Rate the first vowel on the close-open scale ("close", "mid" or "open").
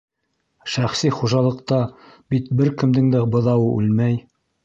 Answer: open